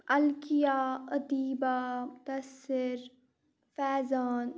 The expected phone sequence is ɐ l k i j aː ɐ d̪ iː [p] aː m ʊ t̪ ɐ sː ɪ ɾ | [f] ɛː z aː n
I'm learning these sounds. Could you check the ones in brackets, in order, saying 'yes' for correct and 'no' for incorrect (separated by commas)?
no, yes